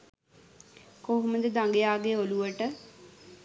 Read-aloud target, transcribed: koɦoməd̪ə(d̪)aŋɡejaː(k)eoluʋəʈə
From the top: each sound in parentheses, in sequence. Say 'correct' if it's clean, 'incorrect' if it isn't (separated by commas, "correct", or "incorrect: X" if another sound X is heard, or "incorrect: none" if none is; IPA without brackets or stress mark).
correct, incorrect: ɡ